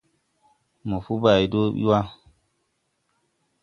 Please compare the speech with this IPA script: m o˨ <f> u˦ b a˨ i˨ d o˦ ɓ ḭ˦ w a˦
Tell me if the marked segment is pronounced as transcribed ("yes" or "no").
yes